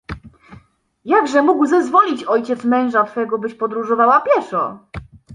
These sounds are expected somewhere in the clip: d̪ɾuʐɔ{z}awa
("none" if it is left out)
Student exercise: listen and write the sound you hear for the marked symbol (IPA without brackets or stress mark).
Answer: v